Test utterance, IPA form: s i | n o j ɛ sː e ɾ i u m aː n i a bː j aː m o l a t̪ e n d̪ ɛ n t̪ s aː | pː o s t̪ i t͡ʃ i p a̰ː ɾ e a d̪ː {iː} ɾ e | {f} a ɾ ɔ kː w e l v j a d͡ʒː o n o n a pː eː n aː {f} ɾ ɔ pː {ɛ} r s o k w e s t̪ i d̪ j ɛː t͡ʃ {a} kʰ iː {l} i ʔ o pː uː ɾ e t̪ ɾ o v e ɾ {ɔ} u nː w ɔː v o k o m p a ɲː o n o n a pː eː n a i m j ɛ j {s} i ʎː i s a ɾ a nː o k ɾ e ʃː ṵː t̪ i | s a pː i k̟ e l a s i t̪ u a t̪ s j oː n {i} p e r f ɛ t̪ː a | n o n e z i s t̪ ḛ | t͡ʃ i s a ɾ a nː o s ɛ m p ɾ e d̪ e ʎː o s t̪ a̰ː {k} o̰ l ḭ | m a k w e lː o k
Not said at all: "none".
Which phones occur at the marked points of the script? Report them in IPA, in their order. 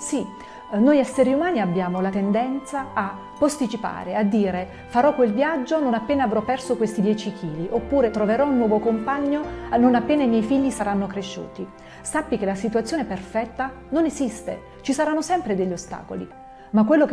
iː, f, v, ɛ, i, l, ɔ, f, e, k

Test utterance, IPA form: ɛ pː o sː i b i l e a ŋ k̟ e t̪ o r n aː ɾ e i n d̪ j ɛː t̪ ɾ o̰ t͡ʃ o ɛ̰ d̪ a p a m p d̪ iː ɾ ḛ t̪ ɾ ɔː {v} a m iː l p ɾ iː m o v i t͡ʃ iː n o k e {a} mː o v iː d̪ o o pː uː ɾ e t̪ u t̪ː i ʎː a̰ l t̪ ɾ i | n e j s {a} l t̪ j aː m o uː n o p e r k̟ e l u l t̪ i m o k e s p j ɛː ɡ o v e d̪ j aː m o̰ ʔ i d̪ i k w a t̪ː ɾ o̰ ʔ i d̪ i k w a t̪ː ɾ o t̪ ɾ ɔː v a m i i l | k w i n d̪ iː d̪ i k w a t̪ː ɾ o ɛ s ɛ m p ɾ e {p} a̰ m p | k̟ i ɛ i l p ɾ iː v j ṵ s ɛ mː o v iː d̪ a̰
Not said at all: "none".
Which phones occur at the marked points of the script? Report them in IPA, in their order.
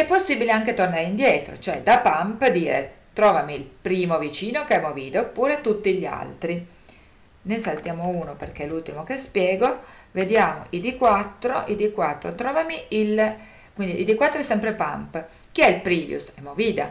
v, ɛ, a, p

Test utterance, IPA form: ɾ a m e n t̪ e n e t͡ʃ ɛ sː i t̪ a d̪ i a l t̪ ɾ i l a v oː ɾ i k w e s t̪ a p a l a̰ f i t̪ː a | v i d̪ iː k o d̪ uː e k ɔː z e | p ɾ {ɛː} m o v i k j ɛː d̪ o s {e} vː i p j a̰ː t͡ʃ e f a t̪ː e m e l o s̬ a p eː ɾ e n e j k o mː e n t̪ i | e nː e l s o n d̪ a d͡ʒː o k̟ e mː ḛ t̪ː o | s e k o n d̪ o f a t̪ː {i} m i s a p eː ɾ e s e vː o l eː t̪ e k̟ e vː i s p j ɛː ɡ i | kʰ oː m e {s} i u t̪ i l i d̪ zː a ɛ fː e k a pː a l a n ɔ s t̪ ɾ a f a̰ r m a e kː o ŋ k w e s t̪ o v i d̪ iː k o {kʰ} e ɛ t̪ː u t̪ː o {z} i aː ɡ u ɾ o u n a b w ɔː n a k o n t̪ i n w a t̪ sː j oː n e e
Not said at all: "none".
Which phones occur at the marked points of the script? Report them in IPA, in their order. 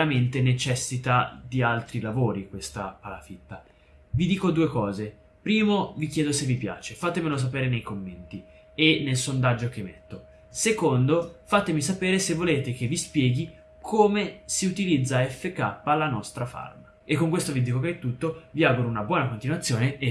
iː, e, e, s, k, v

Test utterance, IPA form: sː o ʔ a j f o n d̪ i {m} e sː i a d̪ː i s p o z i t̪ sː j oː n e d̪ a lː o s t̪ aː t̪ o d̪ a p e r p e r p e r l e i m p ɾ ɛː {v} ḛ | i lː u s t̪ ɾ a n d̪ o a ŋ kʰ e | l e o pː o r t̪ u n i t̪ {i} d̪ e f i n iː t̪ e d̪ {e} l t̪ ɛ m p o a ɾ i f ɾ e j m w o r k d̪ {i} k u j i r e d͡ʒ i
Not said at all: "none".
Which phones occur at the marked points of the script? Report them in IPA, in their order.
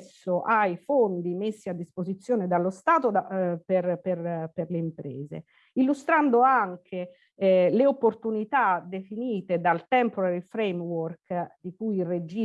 m, z, a, a, i

